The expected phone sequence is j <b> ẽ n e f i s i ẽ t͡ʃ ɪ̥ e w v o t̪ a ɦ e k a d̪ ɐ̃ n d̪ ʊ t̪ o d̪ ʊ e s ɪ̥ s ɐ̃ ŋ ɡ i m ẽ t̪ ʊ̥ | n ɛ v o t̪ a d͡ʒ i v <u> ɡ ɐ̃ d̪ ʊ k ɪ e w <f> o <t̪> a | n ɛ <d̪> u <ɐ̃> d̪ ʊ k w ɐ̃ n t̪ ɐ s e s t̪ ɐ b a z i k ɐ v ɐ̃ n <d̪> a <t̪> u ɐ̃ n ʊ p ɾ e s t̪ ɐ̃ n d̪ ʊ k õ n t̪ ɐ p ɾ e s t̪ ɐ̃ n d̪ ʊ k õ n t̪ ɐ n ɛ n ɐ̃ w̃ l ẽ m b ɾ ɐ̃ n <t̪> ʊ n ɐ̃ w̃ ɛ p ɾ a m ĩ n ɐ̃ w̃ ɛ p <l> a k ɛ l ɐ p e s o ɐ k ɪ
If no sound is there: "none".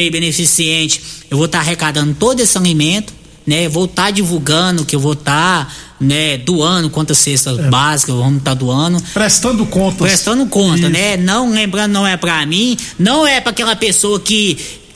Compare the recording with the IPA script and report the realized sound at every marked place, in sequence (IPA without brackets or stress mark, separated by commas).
b, u, v, t̪, d̪, ɐ̃, t̪, d̪, d̪, ɾ